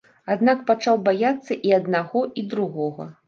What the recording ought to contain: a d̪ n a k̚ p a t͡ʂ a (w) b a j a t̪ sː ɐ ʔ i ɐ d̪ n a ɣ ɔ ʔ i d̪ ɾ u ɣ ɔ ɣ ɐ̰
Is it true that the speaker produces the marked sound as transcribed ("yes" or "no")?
yes